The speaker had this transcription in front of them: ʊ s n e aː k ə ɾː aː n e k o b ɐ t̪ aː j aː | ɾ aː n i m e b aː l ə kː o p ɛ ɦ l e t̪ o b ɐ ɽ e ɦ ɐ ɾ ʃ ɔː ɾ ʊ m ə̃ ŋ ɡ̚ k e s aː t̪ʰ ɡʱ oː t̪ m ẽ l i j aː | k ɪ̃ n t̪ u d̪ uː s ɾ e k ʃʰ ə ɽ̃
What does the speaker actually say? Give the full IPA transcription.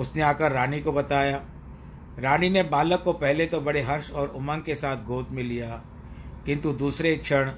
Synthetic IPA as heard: ʊ s n e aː k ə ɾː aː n i k o b ɐ t̪ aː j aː | ɾ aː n i n e b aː l ə kː o p ɛ ɦ l e t̪ o b ɐ ɽ e ɦ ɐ ɾ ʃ ɔː ɾ ʊ m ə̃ ŋ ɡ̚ k e s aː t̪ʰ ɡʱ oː t̪ m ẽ l i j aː | k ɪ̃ n t̪ u d̪ uː s ɾ e k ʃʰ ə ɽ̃